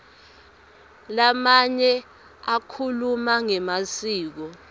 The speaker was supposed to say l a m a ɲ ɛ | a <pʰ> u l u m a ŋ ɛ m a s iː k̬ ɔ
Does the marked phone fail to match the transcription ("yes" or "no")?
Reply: yes